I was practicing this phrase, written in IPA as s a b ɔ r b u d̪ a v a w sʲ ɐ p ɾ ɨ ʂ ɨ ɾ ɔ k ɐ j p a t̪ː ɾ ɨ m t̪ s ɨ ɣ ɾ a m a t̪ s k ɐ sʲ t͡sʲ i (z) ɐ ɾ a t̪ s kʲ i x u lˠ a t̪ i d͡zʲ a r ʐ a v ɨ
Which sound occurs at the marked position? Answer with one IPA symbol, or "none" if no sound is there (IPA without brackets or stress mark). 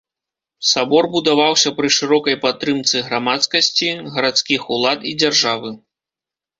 ɣ